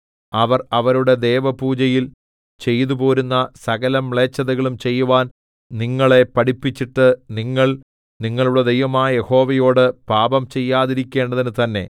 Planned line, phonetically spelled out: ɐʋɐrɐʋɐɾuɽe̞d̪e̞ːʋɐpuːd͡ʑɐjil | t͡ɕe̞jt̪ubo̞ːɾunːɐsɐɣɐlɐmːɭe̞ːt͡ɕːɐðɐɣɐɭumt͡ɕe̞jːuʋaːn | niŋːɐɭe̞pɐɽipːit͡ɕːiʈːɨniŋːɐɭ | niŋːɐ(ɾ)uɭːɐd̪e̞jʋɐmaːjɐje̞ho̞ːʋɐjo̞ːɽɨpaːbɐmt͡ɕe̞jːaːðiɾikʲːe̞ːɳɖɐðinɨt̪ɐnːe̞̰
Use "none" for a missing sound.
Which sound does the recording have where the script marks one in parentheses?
ɭ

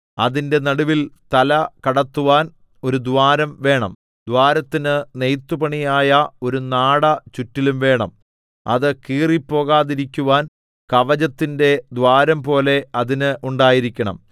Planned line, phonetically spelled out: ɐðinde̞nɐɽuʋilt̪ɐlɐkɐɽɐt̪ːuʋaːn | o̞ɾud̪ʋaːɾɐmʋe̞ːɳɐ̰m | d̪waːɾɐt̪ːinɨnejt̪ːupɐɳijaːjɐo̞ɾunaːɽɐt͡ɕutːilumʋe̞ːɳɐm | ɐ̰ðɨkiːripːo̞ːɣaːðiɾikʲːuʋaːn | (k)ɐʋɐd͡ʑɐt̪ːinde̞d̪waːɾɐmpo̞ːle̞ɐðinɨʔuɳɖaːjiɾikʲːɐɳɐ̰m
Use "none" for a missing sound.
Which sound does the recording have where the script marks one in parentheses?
k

